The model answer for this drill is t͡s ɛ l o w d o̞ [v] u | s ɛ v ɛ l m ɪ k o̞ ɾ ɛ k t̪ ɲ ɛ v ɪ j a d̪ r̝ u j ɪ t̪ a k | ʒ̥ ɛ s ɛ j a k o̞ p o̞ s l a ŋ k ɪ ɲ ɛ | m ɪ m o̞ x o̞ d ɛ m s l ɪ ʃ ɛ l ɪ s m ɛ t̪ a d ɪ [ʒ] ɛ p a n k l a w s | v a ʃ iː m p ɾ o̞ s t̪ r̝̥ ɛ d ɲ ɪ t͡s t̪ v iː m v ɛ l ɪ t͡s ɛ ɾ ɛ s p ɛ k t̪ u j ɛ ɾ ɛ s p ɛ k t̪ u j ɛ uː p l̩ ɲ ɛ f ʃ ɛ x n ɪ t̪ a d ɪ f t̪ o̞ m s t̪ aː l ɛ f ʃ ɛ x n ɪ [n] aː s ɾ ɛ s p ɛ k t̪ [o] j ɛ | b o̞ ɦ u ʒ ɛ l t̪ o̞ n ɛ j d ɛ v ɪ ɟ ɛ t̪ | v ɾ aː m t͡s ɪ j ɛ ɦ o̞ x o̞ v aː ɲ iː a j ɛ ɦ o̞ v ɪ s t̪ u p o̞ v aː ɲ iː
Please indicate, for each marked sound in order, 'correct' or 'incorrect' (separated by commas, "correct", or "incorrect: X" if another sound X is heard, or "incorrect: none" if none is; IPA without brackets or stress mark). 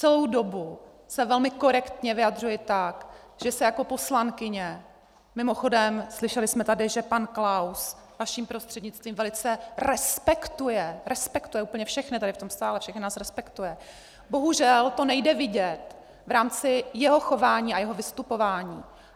incorrect: b, correct, correct, incorrect: u